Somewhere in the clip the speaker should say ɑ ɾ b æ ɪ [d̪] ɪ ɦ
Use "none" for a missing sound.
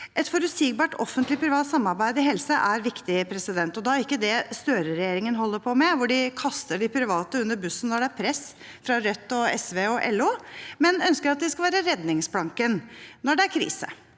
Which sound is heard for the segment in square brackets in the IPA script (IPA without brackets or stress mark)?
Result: d̪